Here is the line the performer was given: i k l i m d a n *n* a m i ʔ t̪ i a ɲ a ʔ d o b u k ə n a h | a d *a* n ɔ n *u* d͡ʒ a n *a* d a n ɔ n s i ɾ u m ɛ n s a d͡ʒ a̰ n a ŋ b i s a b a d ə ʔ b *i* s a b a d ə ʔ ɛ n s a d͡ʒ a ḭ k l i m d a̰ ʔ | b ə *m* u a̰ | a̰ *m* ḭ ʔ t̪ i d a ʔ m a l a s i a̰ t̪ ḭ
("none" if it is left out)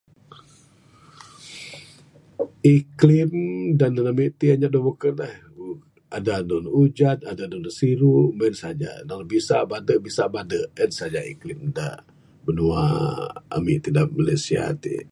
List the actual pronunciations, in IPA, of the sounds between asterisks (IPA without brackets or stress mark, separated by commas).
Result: n, a, u, a, i, n, m